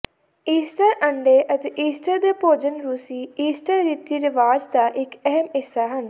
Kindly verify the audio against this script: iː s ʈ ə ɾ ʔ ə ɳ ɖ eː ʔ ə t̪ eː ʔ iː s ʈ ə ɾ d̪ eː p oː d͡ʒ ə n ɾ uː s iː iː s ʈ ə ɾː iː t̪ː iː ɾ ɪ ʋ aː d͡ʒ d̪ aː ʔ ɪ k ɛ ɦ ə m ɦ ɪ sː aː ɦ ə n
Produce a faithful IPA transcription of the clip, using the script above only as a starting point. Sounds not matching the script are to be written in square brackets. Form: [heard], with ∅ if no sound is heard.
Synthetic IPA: iː s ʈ ə ɾ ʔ ə ɳ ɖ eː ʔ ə t̪ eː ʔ iː s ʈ ə ɾ d̪ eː p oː d͡ʒ ə n ɾ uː s iː iː s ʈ ə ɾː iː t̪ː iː ɾ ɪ ʋ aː d͡ʒ d̪ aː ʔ ɪ k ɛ ɦ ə m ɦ ɪ sː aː ɦ ə n